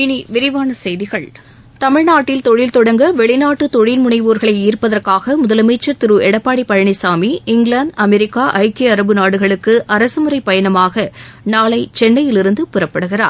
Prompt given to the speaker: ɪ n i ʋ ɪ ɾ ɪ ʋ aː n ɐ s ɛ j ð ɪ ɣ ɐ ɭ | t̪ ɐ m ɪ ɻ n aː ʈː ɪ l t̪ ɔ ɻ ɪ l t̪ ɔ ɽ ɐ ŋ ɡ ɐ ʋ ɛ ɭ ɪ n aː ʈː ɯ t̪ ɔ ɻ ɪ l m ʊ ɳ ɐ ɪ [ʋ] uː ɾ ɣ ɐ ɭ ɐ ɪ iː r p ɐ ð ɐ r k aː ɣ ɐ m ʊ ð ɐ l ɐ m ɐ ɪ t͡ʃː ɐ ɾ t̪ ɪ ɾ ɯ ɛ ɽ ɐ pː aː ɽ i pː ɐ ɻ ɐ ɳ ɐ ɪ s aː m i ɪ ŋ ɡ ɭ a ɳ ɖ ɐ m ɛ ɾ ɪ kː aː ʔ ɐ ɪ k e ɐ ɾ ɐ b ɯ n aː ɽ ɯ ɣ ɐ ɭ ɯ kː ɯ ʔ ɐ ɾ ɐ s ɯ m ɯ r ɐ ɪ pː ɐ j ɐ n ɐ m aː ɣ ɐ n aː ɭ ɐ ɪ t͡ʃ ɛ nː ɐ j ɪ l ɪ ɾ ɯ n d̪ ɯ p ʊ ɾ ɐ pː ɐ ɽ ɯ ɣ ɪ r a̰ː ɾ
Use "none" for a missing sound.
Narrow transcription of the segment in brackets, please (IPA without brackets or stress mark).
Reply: ʋ